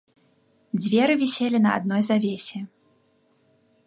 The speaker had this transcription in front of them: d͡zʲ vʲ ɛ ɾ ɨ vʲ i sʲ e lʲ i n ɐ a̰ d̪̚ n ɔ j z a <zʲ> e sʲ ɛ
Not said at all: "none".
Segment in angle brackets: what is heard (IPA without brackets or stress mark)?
vʲ